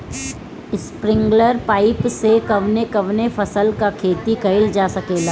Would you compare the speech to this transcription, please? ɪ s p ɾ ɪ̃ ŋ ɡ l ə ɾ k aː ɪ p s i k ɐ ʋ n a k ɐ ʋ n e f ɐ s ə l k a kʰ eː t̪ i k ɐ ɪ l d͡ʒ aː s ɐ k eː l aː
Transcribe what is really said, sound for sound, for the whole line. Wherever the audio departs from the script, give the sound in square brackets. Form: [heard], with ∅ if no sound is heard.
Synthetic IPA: ɪ s p ɾ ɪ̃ ŋ ɡ l ə ɾ [p] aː ɪ p s [e] k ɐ ʋ n [e] k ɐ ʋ n e f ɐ s ə l k a kʰ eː t̪ i k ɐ ɪ l d͡ʒ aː s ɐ k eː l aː